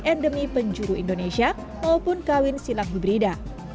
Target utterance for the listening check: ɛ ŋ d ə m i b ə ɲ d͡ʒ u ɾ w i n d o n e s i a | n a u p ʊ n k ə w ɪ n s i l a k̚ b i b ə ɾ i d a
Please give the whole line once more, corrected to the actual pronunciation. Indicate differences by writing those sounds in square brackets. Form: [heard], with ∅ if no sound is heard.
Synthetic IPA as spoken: ɛ [n] d ə m i [p] ə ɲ d͡ʒ u ɾ [u] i n d o n e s i a | [m] a u p ʊ n k [a] w ɪ n s i l a k̚ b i b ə ɾ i d a